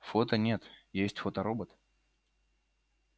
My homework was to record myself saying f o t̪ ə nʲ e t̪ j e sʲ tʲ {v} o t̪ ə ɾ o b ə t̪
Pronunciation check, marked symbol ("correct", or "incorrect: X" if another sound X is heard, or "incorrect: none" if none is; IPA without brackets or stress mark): incorrect: f